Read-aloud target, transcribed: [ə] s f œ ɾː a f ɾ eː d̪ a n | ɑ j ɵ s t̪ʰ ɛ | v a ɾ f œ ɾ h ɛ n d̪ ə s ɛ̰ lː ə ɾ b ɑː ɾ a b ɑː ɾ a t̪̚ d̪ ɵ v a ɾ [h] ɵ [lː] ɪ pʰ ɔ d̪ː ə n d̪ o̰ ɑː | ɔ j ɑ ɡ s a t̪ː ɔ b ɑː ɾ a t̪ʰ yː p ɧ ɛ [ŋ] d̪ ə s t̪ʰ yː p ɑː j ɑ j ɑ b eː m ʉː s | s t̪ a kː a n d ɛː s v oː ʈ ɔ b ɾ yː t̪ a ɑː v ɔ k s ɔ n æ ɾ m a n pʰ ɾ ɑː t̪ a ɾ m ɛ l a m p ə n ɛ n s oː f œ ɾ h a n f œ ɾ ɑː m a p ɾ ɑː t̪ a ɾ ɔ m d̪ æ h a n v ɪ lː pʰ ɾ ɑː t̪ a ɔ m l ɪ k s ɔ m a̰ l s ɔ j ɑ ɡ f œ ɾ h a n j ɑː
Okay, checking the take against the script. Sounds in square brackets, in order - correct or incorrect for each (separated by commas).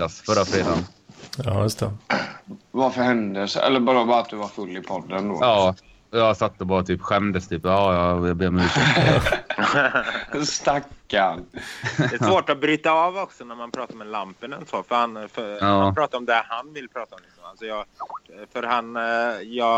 incorrect, incorrect, correct, incorrect